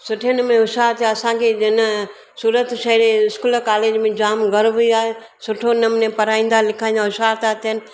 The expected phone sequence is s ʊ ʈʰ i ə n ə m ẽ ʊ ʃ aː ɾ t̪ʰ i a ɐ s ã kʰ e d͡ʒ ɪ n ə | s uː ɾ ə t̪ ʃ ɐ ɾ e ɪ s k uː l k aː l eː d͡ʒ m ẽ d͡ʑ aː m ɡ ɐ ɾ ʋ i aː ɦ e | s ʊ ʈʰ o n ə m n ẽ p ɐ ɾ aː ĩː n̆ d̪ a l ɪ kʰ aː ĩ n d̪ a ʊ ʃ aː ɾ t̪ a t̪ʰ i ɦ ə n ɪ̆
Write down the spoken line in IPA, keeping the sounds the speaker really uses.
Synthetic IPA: s ʊ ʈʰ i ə n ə m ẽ ʊ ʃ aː ɾ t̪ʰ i a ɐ s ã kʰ e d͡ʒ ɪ n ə | s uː ɾ ə t̪ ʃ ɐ ɾ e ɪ s k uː l k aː l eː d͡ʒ m ẽ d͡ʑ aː m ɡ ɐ ɾ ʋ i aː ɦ e | s ʊ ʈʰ o n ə m n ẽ p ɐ ɾ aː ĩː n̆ d̪ a l ɪ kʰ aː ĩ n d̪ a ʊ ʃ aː ɾ t̪ a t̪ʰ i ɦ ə n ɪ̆